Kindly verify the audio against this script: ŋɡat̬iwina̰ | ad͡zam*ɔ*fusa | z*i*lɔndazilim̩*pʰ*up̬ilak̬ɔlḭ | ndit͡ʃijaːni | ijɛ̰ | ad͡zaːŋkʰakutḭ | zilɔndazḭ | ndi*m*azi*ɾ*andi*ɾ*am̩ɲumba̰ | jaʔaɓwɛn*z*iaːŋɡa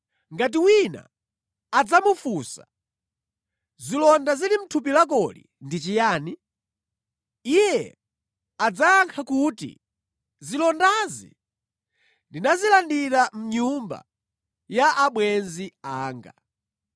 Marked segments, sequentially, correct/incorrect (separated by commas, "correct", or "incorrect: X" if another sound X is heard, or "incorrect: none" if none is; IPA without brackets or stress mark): incorrect: u, correct, incorrect: tʰ, incorrect: n, incorrect: l, correct, correct